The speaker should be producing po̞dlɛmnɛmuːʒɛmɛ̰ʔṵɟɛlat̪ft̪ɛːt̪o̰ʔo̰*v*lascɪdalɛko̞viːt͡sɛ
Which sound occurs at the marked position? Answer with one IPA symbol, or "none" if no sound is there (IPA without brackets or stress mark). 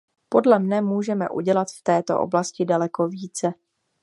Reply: b